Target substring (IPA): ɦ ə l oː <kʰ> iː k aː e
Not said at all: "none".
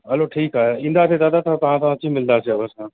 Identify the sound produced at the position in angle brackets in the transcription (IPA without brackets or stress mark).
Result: ʈʰ